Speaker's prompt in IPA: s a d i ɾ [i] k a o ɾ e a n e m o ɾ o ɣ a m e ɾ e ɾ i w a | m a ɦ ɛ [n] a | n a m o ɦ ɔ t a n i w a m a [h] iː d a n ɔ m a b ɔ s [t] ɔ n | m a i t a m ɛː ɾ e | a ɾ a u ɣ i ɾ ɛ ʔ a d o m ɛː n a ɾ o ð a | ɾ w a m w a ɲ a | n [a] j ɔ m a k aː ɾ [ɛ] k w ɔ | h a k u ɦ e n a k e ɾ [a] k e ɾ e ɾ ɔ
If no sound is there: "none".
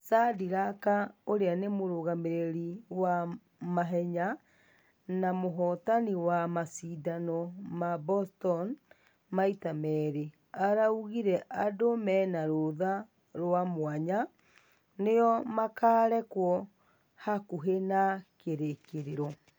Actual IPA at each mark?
a, ɲ, s, t, e, ɛ, e

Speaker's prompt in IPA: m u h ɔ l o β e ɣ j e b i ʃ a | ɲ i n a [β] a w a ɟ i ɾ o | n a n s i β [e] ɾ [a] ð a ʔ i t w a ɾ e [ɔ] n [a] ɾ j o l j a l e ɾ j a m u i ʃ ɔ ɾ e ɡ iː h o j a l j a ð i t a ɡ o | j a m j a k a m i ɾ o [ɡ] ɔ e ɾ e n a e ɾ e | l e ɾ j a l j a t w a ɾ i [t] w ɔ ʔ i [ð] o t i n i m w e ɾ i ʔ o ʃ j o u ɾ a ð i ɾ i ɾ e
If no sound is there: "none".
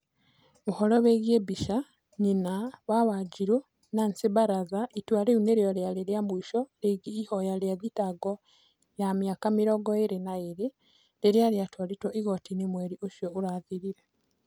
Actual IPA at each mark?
β, a, a, u, e, ɡ, t, ɣ

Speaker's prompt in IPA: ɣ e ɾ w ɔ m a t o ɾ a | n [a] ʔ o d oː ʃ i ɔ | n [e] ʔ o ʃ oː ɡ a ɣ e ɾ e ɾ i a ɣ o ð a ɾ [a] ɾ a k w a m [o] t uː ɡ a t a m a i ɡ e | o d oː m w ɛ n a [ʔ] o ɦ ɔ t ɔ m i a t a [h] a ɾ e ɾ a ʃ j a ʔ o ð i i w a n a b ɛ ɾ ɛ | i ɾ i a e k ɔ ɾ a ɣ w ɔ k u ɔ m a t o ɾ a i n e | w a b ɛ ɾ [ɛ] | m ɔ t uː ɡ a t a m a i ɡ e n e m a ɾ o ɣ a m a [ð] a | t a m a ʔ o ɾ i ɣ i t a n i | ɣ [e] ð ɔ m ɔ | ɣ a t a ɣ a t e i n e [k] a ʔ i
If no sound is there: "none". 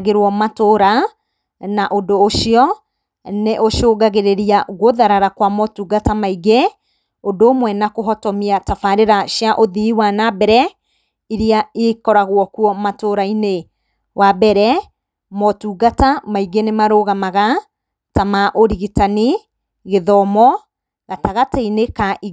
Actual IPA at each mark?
a, e, a, ɔ, k, f, ɛ, ɣ, e, k

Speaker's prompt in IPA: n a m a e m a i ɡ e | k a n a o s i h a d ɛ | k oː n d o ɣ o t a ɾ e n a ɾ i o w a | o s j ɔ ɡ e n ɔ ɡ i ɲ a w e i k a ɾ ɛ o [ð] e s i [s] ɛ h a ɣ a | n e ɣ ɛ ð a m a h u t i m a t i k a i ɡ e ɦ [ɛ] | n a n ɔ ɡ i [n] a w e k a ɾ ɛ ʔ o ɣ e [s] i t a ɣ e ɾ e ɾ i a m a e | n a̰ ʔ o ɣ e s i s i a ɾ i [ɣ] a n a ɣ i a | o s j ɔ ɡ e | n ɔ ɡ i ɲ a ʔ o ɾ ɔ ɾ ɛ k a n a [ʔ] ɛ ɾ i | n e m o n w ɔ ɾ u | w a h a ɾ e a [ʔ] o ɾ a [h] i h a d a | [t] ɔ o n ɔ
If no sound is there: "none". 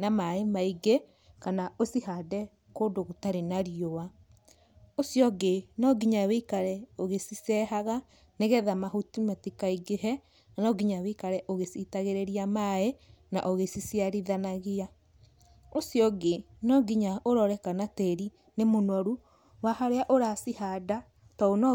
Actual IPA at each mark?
ɣ, s, ɛ, ɲ, s, ð, t, ʔ, s, t

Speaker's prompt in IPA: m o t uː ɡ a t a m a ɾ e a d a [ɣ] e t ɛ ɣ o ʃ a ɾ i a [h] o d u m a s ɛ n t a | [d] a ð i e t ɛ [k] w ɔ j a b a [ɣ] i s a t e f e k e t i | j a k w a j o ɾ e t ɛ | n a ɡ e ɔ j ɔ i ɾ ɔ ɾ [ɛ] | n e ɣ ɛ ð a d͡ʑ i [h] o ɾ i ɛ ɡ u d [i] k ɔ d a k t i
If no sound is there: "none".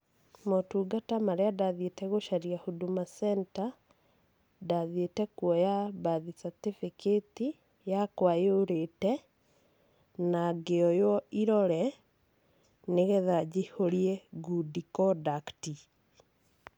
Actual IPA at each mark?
ð, h, d, k, ð, ɛ, h, i

